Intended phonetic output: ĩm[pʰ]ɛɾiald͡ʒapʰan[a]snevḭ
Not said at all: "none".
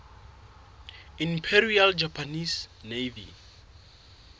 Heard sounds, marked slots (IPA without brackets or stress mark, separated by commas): pʰ, i